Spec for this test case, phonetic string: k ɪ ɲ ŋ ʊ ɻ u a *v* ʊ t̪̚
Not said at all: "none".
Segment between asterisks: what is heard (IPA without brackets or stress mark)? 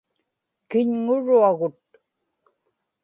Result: ɣ